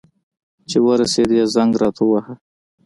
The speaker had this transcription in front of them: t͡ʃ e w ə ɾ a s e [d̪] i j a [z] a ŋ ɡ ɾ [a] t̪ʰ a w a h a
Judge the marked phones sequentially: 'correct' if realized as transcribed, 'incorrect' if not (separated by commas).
correct, correct, incorrect